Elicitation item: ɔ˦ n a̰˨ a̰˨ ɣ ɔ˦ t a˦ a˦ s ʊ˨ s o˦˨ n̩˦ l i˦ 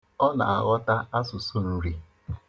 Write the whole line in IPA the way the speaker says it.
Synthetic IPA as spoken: ɔ˦ n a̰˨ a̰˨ ɣ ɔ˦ t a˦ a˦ s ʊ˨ s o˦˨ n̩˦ ɾ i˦